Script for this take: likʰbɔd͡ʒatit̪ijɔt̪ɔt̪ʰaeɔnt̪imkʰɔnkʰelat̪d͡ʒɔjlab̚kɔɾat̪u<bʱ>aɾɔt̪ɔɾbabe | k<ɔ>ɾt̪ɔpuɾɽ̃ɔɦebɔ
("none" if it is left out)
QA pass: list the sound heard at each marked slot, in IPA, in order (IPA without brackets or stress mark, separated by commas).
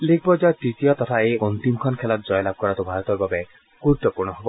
bʱ, u